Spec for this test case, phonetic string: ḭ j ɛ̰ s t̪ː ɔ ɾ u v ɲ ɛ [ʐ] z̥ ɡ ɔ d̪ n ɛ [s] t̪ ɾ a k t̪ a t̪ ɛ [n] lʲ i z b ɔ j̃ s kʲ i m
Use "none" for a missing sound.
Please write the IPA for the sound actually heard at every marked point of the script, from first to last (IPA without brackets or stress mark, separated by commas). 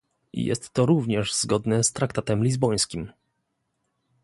ʐ, s, m